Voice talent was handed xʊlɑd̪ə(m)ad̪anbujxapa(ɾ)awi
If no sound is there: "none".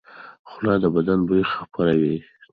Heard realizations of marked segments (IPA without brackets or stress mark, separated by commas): b, ɾ